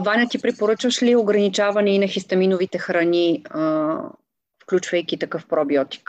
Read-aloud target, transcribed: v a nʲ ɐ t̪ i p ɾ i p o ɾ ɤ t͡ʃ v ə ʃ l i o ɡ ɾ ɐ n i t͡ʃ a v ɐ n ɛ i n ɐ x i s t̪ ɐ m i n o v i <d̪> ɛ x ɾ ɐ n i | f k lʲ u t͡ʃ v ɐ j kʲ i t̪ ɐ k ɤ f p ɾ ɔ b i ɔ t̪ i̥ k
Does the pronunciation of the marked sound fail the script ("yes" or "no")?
yes